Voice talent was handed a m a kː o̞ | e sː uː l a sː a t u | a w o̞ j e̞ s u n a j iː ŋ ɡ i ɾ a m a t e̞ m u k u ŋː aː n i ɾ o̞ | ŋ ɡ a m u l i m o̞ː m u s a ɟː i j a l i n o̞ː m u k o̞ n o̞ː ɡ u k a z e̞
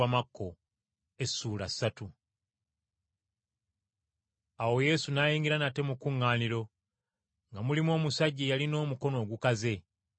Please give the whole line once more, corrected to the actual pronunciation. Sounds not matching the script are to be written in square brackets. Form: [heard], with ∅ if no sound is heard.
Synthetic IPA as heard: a m a kː o̞ | e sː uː l a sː a t u | a w o̞ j e̞ s u n a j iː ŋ ɡ i ɾ a [n] a t e̞ m u k u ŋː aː n i ɾ o̞ | ŋ ɡ a m u l i m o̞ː m u s a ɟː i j a l i n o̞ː m u k o̞ n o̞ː ɡ u k a z e̞